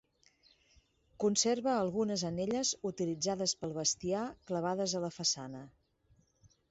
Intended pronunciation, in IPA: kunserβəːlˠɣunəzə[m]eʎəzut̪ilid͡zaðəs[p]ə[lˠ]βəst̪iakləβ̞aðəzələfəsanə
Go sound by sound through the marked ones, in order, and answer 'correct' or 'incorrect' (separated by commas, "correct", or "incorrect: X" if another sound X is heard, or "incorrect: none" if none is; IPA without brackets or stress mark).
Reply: incorrect: n, correct, correct